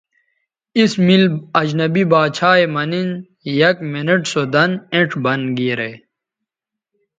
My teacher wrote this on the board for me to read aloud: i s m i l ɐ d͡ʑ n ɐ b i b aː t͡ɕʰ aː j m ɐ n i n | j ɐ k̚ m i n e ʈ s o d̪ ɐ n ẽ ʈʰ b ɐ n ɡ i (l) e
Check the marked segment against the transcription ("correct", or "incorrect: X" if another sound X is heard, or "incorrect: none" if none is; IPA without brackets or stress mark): incorrect: ɾ